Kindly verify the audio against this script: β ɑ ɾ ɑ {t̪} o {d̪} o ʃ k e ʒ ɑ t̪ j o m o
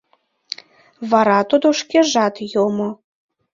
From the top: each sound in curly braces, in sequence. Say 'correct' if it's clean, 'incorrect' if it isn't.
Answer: correct, correct

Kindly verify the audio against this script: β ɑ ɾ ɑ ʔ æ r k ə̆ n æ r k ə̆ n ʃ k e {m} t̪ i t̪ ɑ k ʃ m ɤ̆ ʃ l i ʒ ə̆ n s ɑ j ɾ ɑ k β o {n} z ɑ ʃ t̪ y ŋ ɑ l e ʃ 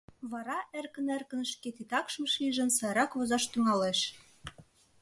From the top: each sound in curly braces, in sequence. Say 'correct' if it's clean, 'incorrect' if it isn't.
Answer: incorrect, incorrect

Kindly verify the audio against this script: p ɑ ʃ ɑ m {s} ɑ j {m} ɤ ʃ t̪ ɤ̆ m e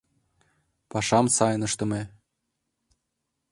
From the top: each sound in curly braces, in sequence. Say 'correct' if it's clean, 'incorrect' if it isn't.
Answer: correct, incorrect

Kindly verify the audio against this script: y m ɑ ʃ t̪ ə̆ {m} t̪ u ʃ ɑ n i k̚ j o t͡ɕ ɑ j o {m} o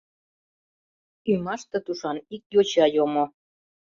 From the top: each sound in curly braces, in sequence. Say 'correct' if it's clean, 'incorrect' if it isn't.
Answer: incorrect, correct

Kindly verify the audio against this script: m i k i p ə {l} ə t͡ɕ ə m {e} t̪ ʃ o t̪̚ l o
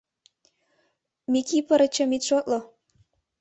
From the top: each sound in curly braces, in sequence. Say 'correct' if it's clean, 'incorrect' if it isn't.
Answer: incorrect, incorrect

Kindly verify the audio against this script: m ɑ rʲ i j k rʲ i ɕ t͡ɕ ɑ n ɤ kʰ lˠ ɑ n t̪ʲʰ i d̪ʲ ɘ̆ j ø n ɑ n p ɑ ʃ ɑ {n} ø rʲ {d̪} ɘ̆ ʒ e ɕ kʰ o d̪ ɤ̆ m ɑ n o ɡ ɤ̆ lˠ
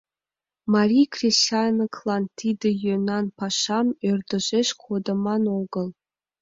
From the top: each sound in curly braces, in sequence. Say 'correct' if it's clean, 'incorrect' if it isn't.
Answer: incorrect, correct

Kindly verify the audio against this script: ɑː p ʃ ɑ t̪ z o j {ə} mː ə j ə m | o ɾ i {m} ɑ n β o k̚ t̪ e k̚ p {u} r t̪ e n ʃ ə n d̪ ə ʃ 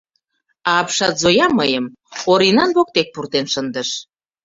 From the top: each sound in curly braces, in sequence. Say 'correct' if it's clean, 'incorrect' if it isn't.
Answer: incorrect, incorrect, correct

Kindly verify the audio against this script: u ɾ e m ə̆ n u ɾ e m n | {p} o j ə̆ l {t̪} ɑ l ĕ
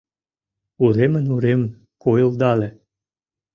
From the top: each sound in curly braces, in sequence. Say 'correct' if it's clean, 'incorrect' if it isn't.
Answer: incorrect, incorrect

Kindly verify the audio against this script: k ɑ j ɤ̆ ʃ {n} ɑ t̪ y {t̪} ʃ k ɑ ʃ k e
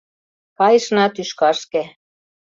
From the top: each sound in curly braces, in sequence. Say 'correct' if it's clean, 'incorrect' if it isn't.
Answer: correct, incorrect

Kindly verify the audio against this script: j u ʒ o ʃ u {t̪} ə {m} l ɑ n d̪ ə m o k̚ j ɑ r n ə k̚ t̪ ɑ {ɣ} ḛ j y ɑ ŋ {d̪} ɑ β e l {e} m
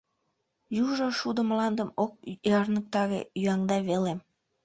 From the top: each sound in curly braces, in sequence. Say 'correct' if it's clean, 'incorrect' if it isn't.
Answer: incorrect, correct, correct, correct, correct

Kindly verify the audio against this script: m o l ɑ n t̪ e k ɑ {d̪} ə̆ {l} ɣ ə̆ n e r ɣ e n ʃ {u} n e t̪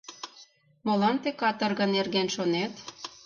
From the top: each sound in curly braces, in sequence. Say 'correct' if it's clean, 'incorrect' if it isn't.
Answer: incorrect, incorrect, incorrect

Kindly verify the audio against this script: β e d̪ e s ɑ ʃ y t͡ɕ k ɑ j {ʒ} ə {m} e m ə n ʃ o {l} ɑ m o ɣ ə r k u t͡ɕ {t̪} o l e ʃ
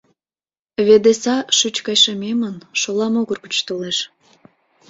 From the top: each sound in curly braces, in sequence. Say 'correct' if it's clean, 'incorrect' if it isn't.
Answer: incorrect, correct, correct, correct

